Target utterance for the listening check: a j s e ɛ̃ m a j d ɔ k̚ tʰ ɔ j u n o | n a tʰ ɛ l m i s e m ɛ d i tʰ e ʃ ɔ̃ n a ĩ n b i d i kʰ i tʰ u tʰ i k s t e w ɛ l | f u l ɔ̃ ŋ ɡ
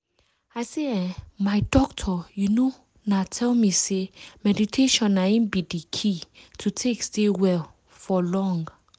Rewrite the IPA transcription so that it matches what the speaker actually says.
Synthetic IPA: a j s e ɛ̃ m a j d ɔ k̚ tʰ ɔ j u n o | n a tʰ ɛ l m i s e m ɛ d i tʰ e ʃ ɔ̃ n a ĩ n b i d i kʰ i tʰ u tʰ e k s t e w ɛ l | f ɔ l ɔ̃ ŋ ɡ